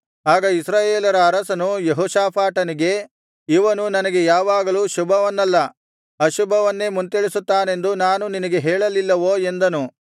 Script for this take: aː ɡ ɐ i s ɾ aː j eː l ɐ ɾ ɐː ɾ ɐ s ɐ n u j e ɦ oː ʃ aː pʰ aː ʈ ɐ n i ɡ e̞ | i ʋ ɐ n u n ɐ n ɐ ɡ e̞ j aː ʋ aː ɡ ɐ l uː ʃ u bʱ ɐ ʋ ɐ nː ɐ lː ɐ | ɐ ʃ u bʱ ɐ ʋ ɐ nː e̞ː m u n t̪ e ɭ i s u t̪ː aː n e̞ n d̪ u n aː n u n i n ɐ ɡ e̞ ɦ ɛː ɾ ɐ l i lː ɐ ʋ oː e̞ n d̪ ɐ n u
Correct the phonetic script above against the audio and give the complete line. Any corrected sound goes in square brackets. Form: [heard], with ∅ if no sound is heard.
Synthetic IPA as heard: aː ɡ ɐ i s ɾ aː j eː l ɐ ɾ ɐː ɾ ɐ s ɐ n u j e ɦ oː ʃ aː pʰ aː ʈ ɐ n i ɡ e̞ | i ʋ ɐ n u n ɐ n ɐ ɡ e̞ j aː ʋ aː ɡ ɐ l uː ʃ u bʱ ɐ ʋ ɐ nː ɐ lː ɐ | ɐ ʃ u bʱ ɐ ʋ ɐ nː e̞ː m u n t̪ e ɭ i s u t̪ː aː n e̞ n d̪ u n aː n u n i n ɐ ɡ e̞ ɦ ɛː [ɭ] ɐ l i lː ɐ ʋ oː e̞ n d̪ ɐ n u